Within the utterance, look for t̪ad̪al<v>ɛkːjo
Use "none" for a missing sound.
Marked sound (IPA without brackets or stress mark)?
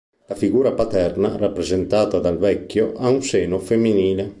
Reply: v